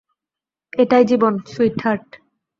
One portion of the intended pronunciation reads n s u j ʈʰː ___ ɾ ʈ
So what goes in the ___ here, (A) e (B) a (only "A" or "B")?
B